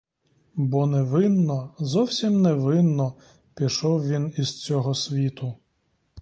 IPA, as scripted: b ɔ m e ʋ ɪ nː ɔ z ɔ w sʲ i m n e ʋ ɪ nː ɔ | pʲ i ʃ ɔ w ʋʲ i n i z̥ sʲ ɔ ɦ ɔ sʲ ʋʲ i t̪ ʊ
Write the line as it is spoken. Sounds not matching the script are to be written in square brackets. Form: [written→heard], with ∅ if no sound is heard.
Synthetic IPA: b ɔ [m→n] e ʋ ɪ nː ɔ z ɔ w sʲ i m n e ʋ ɪ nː ɔ | pʲ i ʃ ɔ w ʋʲ i n i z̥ [sʲ→t͡sʲ] ɔ ɦ ɔ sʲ ʋʲ i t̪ ʊ